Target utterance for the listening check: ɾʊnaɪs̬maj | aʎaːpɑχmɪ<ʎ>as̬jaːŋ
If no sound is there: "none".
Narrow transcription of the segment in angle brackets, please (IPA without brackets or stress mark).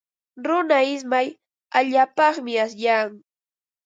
none